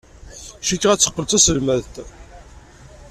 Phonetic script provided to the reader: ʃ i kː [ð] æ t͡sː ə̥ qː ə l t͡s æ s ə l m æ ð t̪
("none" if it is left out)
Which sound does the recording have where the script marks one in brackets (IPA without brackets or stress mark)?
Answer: ʁ